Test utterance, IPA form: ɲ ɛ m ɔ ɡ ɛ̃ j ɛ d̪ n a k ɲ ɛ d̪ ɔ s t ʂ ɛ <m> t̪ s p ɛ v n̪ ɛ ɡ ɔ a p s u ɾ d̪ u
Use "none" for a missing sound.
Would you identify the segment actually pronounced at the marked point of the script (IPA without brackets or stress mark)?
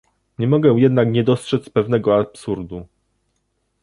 none